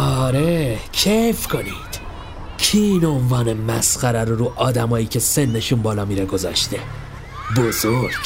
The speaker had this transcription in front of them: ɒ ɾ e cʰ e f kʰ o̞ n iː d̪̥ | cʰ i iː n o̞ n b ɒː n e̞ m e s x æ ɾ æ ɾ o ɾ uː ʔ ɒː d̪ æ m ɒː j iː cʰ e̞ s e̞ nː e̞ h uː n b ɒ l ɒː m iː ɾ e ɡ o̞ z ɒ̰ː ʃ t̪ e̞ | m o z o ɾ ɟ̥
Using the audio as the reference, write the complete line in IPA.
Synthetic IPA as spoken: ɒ ɾ e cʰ e f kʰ o̞ n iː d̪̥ | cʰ i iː n o̞ n v ɒː n e̞ m æ s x æ ɾ æ ɾ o ɾ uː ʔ ɒː d̪ æ m ɒː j iː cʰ e̞ s e̞ nː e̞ ʃ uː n b ɒː l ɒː m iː ɾ e ɡ o̞ z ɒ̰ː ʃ t̪ e̞ | b o z o ɾ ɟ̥